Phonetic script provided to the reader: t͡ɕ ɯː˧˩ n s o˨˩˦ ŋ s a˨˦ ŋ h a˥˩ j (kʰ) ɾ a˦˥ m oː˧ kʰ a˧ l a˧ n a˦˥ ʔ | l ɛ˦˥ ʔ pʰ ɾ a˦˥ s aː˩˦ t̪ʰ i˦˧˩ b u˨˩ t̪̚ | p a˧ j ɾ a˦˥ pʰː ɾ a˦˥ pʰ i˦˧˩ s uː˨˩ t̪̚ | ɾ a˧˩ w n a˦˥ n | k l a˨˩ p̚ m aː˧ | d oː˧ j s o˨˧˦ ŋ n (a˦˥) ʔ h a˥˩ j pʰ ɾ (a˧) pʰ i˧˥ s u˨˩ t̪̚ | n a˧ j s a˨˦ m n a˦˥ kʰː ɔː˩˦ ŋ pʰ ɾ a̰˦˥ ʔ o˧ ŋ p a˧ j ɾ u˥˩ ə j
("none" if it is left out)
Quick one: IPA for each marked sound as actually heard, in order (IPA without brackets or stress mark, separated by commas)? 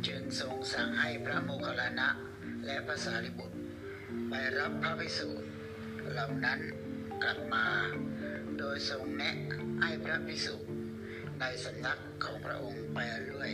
pʰ, ɛ˦˥, a˦˥